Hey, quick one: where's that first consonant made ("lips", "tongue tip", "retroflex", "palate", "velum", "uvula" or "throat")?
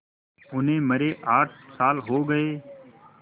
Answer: tongue tip